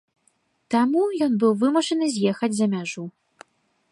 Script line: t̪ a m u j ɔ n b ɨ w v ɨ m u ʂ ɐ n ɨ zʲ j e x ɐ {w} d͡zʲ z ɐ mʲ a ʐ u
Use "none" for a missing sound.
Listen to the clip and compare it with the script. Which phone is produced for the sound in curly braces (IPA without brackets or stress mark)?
none